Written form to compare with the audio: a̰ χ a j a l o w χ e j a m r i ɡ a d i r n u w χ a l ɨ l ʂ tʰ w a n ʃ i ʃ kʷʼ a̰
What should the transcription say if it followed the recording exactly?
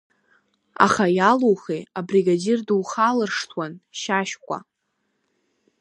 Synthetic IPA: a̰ χ a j a l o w χ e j a b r i ɡ a d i r d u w χ a l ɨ r ʂ tʰ w a n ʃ a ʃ kʷʼ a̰